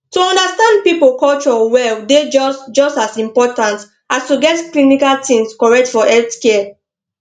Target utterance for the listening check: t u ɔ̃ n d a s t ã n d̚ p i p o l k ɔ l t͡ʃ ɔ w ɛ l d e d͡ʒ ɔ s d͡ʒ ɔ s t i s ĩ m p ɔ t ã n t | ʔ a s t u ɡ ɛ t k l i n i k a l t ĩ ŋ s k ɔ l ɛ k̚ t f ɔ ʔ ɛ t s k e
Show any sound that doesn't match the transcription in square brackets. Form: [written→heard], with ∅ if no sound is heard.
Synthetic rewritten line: t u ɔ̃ n d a s t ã n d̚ p i p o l k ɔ l t͡ʃ ɔ w ɛ l d e d͡ʒ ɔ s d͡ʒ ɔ s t [i→a] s ĩ m p ɔ t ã n t | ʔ a s t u ɡ ɛ t k l i n i k a l t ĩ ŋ s k ɔ [l→ɹ] ɛ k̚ t f ɔ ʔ ɛ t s k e